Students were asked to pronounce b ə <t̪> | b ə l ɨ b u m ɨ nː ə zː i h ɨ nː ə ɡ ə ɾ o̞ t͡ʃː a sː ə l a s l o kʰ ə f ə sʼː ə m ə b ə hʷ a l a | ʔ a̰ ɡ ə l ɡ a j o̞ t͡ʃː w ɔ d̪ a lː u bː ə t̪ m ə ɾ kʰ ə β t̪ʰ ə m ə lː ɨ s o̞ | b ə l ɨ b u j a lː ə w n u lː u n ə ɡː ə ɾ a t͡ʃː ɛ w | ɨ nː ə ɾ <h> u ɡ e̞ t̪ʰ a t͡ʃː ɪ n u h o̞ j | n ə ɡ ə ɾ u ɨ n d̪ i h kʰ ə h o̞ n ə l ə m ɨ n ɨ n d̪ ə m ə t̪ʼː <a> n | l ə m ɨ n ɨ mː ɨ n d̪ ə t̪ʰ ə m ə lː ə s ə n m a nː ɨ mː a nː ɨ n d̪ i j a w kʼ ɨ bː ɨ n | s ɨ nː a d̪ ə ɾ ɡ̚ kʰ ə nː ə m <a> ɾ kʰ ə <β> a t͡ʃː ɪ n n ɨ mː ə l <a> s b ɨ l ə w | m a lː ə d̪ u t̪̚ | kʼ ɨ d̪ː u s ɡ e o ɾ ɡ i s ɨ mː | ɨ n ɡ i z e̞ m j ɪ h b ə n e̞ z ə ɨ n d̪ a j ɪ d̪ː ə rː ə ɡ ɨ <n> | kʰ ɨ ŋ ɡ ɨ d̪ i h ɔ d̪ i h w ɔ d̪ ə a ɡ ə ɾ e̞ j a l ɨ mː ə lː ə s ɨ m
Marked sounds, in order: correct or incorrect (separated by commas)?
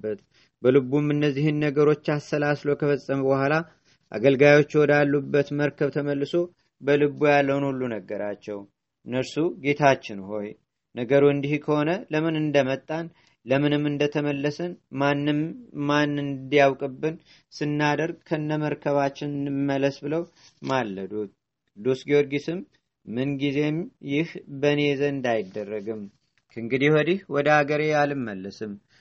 correct, incorrect, correct, incorrect, correct, incorrect, incorrect